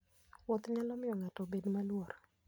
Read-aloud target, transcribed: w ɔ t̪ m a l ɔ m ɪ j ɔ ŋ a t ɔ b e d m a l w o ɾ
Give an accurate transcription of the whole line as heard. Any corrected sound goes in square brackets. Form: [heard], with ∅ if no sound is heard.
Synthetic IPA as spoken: w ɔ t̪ [ɲ] a l ɔ m ɪ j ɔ ŋ a t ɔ b e d m a l w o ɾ